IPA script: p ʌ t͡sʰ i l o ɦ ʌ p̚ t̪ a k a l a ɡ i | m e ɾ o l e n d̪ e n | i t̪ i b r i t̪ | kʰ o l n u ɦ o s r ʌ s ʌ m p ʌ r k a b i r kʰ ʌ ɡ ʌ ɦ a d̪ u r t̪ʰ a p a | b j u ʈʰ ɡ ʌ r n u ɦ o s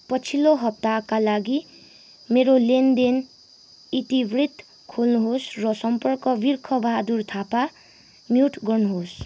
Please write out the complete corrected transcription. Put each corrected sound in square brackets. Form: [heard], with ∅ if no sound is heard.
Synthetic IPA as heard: p ʌ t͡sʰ i l o ɦ ʌ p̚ t̪ a k a l a ɡ i | m e ɾ o l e n d̪ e n | i t̪ i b r i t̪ | kʰ o l n u ɦ o s r ʌ s ʌ m p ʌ r k [ʌ] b i r kʰ ʌ [b] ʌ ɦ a d̪ u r t̪ʰ a p a | [m] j u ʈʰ ɡ ʌ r n u ɦ o s